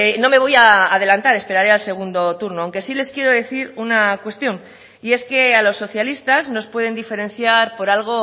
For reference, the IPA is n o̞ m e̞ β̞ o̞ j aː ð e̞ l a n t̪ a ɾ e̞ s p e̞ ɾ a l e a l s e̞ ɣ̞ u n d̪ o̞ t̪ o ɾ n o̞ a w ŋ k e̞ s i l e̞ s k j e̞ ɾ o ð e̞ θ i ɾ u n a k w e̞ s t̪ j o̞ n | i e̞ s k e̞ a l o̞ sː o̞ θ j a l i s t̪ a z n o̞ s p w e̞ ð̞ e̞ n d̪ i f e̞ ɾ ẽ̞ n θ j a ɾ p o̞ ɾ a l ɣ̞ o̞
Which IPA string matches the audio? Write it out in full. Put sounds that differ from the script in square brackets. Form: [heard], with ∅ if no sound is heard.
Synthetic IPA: n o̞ m e̞ β̞ o̞ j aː ð e̞ l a n t̪ a ɾ e̞ s p e̞ ɾ a [ɾ] e a l s e̞ ɣ̞ u n d̪ o̞ t̪ [u] ɾ n o̞ a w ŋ k e̞ s i l e̞ s k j e̞ ɾ o ð e̞ θ i ɾ u n a k w e̞ s t̪ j o̞ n | i e̞ s k e̞ a l o̞ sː o̞ θ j a l i s t̪ a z n o̞ s p w e̞ ð̞ e̞ n d̪ i f e̞ ɾ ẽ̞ n θ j a ɾ p o̞ ɾ a l ɣ̞ o̞